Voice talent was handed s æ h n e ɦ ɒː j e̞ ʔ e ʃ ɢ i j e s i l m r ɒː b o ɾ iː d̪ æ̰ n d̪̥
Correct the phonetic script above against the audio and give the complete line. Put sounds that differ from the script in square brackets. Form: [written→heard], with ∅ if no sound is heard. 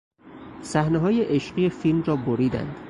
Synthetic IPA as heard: s æ h n e ɦ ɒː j e̞ ʔ e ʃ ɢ i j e [s→f] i l m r ɒː b o ɾ iː d̪ æ̰ n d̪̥